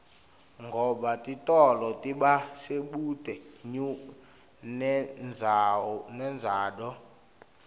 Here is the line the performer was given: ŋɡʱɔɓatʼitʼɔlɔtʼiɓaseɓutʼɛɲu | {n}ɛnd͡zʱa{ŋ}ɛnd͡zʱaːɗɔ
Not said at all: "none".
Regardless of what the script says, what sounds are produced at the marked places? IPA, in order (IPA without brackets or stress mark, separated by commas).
n, n